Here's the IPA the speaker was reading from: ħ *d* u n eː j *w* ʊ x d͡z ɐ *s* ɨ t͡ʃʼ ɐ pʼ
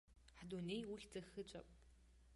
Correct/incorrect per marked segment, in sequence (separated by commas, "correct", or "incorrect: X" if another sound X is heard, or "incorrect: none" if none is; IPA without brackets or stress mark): correct, correct, incorrect: x